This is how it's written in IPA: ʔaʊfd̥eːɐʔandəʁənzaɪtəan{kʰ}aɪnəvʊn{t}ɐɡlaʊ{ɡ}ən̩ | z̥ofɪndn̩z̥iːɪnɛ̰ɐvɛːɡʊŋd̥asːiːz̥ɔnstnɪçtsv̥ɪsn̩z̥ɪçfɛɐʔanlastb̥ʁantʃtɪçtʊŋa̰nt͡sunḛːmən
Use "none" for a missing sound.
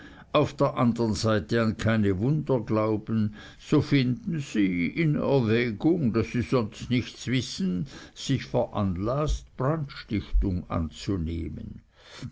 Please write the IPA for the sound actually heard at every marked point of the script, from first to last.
kʰ, d, b

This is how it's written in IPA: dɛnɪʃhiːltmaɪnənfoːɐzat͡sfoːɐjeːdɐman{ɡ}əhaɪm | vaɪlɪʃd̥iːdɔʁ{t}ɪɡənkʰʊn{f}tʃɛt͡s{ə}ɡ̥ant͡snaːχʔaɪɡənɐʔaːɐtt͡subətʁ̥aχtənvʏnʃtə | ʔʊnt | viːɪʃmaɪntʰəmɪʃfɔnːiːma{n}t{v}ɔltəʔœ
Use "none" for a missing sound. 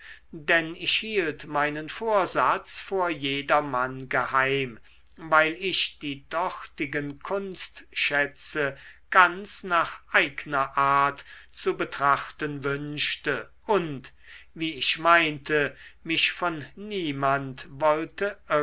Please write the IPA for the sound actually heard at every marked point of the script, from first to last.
ɡ, t, s, ə, n, v

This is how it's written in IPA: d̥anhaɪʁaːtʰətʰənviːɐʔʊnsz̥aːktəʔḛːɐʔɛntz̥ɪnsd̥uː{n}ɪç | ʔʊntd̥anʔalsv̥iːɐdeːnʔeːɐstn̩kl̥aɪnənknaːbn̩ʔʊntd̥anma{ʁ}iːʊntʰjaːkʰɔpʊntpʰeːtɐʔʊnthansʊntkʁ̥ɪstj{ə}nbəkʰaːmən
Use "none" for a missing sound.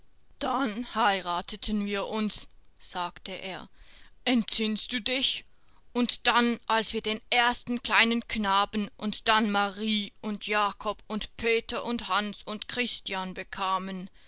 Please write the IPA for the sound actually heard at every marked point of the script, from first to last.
d, ʁ, a

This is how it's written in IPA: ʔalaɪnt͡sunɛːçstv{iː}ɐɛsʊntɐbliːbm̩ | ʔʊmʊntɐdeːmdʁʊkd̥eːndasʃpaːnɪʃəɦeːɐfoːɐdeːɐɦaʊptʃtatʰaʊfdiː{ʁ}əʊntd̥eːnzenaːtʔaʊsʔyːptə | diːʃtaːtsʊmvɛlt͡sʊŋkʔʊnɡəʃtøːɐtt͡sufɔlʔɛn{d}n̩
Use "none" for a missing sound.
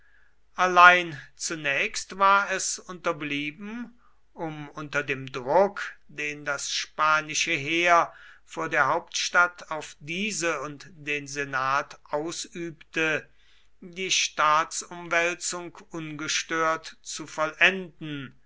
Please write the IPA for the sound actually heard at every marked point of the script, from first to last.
aː, z, d

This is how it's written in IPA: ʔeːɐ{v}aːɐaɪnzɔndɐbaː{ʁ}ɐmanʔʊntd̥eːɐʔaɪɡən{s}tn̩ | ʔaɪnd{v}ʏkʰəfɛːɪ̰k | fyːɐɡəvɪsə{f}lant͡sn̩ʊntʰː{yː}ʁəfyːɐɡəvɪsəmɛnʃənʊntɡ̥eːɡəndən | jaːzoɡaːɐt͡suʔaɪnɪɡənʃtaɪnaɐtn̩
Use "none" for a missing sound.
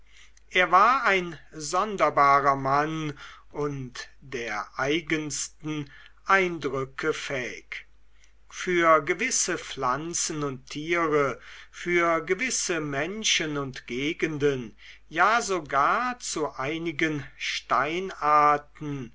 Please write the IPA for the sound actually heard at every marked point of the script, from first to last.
v, ʁ, s, ʁ, f, iː

